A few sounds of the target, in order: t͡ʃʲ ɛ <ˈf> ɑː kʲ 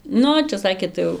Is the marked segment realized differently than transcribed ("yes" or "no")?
yes